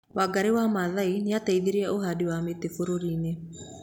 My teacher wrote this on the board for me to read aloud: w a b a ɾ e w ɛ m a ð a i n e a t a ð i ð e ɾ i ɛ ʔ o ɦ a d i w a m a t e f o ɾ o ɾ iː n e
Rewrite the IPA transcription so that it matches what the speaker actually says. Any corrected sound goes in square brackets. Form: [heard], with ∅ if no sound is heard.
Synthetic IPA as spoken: w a [ɡ] a ɾ e w [a] m a ð a i n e a t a [∅] i ð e ɾ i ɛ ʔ o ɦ a d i w a m [e] t e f o ɾ o ɾ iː n e